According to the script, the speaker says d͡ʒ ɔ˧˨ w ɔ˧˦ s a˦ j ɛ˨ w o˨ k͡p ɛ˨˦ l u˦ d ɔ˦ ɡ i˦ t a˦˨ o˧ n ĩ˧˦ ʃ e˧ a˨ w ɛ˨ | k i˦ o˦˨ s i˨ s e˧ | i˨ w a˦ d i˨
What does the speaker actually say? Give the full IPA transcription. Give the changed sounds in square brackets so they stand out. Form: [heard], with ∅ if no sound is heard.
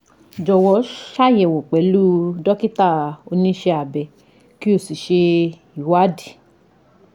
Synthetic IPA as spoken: d͡ʒ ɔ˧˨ w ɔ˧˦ [ʃ] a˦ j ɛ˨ w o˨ k͡p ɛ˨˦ l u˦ d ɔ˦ [k] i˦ t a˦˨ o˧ n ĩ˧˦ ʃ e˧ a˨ [b] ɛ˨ | k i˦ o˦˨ s i˨ [ʃ] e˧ | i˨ w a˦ d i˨